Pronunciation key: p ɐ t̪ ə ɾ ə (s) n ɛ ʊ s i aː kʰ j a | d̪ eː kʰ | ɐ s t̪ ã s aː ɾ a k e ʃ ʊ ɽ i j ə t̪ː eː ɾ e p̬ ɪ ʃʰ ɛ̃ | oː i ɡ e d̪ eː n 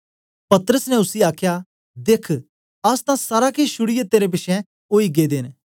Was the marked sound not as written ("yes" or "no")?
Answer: no